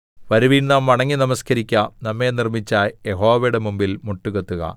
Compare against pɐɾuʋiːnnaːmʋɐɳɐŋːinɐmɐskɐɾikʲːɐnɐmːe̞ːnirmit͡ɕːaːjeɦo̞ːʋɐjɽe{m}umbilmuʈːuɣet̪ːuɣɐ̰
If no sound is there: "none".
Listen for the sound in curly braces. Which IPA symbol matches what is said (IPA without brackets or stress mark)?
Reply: m